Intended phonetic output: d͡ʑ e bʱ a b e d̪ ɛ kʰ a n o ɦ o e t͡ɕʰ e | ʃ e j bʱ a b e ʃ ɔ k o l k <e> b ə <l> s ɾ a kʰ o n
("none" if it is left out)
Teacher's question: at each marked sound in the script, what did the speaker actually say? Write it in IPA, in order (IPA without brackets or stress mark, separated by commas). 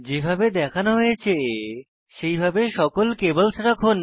e, l